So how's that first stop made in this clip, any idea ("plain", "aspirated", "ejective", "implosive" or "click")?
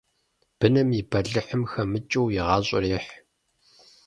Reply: plain